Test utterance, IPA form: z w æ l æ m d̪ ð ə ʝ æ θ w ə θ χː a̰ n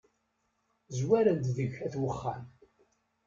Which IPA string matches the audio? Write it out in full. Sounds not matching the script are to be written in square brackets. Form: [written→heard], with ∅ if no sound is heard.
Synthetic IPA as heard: z w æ [l→ɾ] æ [m→n] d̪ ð ə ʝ æ θ w ə [θ→∅] χː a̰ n